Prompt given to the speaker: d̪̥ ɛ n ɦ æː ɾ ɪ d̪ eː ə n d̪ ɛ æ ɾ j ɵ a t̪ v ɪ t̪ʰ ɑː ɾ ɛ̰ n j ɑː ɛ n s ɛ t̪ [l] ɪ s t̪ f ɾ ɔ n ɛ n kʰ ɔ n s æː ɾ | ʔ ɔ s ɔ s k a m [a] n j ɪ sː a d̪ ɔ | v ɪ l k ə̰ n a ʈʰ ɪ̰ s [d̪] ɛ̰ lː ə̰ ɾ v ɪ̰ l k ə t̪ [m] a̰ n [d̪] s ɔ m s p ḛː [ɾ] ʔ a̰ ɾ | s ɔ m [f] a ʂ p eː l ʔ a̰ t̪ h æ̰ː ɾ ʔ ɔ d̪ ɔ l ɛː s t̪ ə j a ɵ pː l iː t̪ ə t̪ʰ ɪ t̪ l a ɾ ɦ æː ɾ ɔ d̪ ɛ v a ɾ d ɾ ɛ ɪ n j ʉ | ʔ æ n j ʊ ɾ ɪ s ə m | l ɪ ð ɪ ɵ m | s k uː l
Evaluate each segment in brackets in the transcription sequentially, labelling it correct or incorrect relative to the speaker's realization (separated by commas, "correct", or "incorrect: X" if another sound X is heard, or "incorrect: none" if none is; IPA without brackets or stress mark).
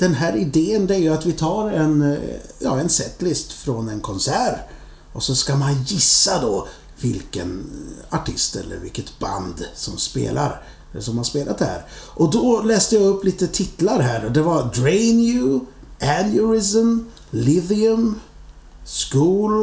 correct, correct, incorrect: t̪, incorrect: b, correct, incorrect: l, incorrect: h